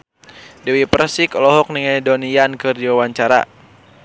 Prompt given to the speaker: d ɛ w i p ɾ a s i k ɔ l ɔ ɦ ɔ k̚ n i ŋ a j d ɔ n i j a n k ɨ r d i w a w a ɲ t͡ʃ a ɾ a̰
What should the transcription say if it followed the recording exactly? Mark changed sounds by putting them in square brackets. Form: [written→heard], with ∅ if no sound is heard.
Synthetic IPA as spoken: d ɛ w i p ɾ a s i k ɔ l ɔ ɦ ɔ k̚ n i ŋ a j d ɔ n i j a n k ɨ r d i w a w a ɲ t͡ʃ a ɾ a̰